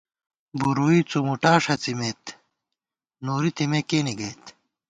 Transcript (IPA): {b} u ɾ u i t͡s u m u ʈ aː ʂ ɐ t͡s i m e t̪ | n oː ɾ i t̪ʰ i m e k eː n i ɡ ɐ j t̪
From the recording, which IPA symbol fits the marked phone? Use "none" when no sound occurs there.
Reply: b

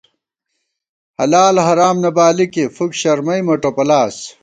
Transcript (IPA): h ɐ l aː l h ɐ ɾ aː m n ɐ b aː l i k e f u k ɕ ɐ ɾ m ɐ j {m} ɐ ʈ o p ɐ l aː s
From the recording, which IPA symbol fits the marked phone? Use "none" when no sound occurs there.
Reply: m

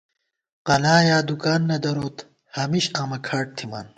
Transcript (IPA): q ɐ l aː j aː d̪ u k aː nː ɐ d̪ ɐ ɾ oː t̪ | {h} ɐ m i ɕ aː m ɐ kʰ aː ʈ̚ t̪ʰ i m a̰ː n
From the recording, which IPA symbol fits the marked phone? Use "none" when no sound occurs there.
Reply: h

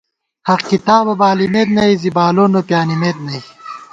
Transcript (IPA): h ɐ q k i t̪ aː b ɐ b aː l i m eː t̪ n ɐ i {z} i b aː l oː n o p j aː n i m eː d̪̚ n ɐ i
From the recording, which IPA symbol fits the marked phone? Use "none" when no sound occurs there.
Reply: z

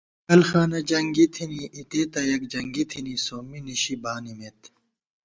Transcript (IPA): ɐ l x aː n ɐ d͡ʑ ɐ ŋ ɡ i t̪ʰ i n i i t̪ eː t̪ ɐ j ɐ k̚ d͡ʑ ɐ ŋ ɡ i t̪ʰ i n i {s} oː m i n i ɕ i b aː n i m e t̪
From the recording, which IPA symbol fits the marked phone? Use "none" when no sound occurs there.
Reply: s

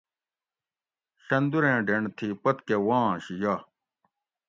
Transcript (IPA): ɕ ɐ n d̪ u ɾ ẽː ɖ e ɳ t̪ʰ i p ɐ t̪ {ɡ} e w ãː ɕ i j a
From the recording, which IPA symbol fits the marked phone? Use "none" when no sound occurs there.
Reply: k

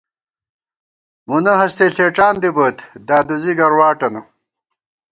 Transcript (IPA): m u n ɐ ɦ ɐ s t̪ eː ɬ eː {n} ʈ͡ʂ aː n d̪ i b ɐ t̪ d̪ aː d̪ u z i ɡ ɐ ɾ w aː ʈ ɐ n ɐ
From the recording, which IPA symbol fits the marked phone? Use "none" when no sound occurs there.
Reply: none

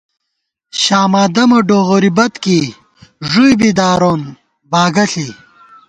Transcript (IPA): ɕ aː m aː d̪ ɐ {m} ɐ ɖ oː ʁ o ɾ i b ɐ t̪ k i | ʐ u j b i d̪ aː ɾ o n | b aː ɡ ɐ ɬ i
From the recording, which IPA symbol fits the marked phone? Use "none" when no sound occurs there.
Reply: m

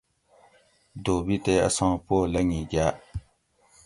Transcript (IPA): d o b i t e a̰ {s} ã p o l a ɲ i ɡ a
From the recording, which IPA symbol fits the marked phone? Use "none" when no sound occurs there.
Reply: s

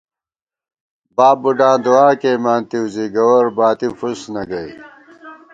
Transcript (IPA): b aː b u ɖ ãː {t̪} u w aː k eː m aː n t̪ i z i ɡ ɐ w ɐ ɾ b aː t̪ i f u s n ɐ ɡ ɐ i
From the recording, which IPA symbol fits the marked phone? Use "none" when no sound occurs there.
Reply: d̪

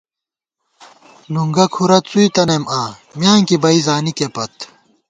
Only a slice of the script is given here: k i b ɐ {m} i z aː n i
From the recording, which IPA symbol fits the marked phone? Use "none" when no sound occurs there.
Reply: none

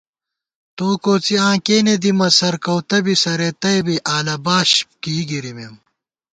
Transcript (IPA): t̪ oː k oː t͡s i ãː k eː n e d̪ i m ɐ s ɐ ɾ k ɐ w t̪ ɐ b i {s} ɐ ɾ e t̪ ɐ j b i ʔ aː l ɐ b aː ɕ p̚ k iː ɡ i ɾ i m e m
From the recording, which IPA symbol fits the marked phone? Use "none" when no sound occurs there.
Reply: s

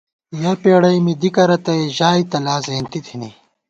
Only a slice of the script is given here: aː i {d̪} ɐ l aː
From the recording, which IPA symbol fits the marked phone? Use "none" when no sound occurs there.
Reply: t̪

